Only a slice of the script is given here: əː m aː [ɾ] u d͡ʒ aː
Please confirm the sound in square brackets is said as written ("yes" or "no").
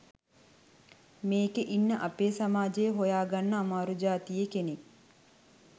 yes